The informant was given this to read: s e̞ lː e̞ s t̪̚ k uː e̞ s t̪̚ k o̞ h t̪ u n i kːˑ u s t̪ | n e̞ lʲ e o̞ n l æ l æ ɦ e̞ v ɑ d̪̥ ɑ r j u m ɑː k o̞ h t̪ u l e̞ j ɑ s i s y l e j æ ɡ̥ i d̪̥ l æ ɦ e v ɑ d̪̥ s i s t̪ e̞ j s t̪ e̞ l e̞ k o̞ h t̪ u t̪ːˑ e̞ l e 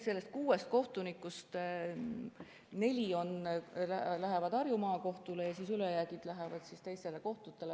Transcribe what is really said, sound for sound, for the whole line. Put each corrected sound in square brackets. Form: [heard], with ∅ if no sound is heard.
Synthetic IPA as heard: s e̞ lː e̞ s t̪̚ k uː e̞ s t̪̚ k o̞ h t̪ u n i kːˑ u s t̪ | n e̞ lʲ [i] o̞ n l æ l æ ɦ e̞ v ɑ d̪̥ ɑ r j u m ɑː k o̞ h t̪ u l e̞ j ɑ s i s y l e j æ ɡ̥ i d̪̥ l æ ɦ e v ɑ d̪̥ s i s t̪ e̞ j s t̪ e̞ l e̞ k o̞ h t̪ u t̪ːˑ e̞ l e